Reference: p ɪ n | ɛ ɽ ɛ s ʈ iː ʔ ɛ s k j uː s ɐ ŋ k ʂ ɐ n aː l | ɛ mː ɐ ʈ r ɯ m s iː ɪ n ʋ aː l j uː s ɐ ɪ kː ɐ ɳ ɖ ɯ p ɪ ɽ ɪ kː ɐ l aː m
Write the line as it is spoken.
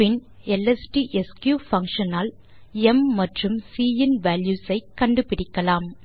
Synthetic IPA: p ɪ n | ɛ l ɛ s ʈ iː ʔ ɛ s k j uː f ɐ ŋ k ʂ ɐ n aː l | ɛ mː ɐ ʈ r ɯ m s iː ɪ n ʋ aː l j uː s ɐ ɪ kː ɐ ɳ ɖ ɯ p ɪ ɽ ɪ kː ɐ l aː m

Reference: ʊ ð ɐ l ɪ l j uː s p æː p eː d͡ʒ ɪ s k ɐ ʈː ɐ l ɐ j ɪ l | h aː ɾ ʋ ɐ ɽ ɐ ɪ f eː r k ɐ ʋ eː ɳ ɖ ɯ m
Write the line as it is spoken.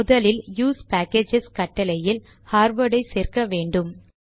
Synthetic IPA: ʊ ð ɐ l ɪ l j uː s p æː k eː d͡ʒ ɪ s k ɐ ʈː ɐ l ɐ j ɪ l | h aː ɾ ʋ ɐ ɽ ɐ ɪ s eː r k ɐ ʋ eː ɳ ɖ ɯ m

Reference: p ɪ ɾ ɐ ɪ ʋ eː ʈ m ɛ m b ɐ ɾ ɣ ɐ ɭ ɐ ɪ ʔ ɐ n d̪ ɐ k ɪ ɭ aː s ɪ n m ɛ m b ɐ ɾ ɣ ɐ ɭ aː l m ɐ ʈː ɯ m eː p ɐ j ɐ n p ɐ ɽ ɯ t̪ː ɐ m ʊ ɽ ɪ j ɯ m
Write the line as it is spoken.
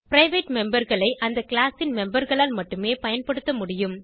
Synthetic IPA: p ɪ ɾ ɐ ɪ ʋ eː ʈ m ɛ m b ɐ ɾ ɣ ɐ ɭ ɐ ɪ ʔ ɐ n d̪ ɐ k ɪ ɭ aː s ɪ n m ɛ m b ɐ ɾ ɣ ɐ ɭ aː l m ɐ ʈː ɯ m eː p ɐ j ɐ n p ɐ ɽ ɯ t̪ː ɐ m ʊ ɽ ɪ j ɯ m

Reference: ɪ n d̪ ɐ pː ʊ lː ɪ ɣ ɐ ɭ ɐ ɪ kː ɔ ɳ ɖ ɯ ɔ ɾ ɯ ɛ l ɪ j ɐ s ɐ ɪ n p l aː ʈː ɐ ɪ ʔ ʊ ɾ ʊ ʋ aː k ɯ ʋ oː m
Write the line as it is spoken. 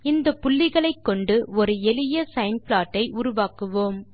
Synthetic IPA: ɪ n d̪ ɐ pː ʊ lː ɪ ɣ ɐ ɭ ɐ ɪ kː ɔ ɳ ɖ ɯ ɔ ɾ ɯ ɛ l ɪ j ɐ s ɐ ɪ n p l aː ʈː ɐ ɪ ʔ ʊ ɾ ʊ ʋ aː k ɯ ʋ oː m

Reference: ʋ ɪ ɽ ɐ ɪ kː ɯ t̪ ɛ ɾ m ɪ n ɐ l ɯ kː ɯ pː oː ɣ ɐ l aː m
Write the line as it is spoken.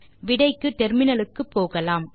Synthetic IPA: ʋ ɪ ɽ ɐ ɪ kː ɯ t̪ ɛ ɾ m ɪ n ɐ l ɯ kː ɯ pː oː ɣ ɐ l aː m

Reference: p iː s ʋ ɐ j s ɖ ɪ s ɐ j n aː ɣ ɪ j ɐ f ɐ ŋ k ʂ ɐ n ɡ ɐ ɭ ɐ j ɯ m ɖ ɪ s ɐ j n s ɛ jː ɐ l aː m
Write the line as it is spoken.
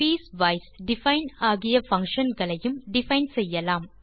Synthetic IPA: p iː s ʋ ɐ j s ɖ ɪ f ɐ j n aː ɣ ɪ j ɐ f ɐ ŋ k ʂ ɐ n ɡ ɐ ɭ ɐ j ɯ m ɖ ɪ f ɐ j n s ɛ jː ɐ l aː m

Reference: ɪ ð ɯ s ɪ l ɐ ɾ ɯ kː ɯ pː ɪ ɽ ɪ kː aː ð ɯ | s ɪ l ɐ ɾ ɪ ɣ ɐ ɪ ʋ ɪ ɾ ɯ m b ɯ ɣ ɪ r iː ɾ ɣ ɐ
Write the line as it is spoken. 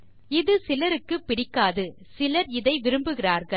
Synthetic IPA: ɪ ð ɯ s ɪ l ɐ ɾ ɯ kː ɯ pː ɪ ɽ ɪ kː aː ð ɯ | s ɪ l ɐ ɾ ɪ ð ɐ ɪ ʋ ɪ ɾ ɯ m b ɯ ɣ ɪ r aː ɾ ɣ ɐ

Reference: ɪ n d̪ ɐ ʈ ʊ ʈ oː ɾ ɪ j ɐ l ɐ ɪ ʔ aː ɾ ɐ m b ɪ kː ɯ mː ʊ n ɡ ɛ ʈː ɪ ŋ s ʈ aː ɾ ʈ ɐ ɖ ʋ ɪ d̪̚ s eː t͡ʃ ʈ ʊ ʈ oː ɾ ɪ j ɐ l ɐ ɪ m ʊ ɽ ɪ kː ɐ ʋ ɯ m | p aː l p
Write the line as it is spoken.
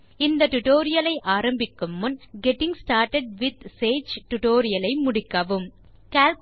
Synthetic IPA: ɪ n d̪ ɐ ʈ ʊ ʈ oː ɾ ɪ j ɐ l ɐ ɪ ʔ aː ɾ ɐ m b ɪ kː ɯ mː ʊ n ɡ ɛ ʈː ɪ ŋ s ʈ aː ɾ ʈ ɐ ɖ ʋ ɪ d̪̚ s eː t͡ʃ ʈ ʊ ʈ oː ɾ ɪ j ɐ l ɐ ɪ m ʊ ɽ ɪ kː ɐ ʋ ɯ m | k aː l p

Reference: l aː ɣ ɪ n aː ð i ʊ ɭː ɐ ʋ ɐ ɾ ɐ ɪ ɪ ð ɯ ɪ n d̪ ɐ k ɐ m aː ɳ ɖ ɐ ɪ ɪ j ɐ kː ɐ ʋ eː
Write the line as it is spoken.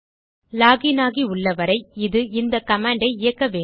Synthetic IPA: l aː ɣ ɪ n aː ɣ i ʊ ɭː ɐ ʋ ɐ ɾ ɐ ɪ ɪ ð ɯ ɪ n d̪ ɐ k ɐ m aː ɳ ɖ ɐ ɪ ɪ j ɐ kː ɐ ʋ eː

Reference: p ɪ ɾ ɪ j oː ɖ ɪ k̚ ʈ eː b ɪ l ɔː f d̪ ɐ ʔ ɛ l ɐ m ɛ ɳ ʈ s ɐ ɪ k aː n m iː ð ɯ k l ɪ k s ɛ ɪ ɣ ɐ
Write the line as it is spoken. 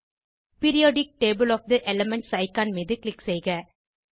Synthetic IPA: p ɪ ɾ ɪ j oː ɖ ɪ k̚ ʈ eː b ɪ l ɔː f d̪ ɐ ʔ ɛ l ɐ m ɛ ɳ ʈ s ɐ ɪ k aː n m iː ð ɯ k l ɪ k s ɛ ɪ ɣ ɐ

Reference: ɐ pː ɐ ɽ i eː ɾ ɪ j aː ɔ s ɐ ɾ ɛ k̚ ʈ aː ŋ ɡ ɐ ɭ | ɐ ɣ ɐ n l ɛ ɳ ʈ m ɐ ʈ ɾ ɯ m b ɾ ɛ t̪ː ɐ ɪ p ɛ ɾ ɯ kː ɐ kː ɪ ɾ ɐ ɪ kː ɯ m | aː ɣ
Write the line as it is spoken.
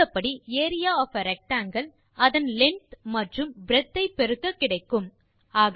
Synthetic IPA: ɐ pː ɐ ɽ i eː ɾ ɪ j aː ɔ f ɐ ɾ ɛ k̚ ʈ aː ŋ ɡ ɐ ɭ | ɐ ð ɐ n l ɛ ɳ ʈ m ɐ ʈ r ɯ m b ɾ ɛ t̪ː ɐ ɪ p ɛ ɾ ɯ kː ɐ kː ɪ ɽ ɐ ɪ kː ɯ m | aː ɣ

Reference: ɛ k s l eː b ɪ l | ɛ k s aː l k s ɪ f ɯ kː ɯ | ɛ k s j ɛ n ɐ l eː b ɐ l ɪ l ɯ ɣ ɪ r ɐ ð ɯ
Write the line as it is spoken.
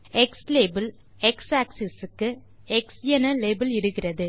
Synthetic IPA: ɛ k s l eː b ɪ l | ɛ k s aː k s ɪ s ɯ kː ɯ | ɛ k s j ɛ n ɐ l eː b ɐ l ɪ ɽ ɯ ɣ ɪ r ɐ ð ɯ

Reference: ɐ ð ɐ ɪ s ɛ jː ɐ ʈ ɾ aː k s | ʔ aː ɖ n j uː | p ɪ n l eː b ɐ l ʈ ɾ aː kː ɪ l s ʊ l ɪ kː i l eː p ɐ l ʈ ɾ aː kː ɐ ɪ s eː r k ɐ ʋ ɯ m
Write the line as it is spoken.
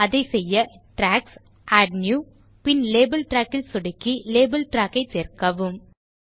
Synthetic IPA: ɐ ð ɐ ɪ s ɛ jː ɐ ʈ ɾ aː k s | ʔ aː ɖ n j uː | p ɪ n l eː b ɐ l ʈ ɾ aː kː ɪ l s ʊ ɽ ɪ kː i l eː b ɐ l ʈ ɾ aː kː ɐ ɪ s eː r k ɐ ʋ ɯ m

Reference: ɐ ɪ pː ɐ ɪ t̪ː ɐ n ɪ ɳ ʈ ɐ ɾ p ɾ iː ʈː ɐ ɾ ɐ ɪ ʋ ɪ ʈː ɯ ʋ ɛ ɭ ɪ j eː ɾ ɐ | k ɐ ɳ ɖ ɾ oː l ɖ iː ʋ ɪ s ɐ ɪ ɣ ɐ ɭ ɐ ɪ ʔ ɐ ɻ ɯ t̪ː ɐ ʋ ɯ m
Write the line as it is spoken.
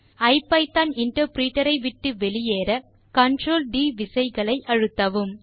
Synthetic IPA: ɐ ɪ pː ɐ ɪ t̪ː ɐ n ɪ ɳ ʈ ɐ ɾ p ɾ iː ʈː ɐ ɾ ɐ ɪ ʋ ɪ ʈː ɯ ʋ ɛ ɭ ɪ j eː ɾ ɐ | k ɐ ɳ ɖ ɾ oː l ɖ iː ʋ ɪ s ɐ ɪ ɣ ɐ ɭ ɐ ɪ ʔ ɐ ɻ ɯ t̪ː ɐ ʋ ɯ m

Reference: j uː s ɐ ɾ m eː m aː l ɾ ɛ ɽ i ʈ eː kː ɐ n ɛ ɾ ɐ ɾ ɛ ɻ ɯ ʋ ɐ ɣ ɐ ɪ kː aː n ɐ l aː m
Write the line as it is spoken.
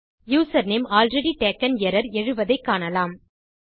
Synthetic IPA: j uː s ɐ ɾ n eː m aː l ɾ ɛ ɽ i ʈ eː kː ɐ n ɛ ɾ ɐ ɾ ɛ ɻ ɯ ʋ ɐ ð ɐ ɪ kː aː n ɐ l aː m

